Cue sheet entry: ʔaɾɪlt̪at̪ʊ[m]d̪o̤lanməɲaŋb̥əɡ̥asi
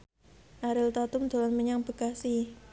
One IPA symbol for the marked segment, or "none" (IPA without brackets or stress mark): m